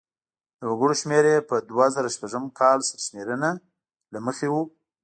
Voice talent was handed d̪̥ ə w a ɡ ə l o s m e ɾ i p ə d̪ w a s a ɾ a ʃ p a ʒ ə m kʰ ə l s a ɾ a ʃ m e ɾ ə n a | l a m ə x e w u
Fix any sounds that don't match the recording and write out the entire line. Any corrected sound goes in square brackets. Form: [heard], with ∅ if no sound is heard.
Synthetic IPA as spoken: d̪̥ ə w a ɡ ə [ɽ] o [ʃ] m e ɾ [e] p ə d̪ w a [z] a ɾ a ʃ p a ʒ ə m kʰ [ɑ] l s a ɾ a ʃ m e ɾ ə n a | l a m ə x e w u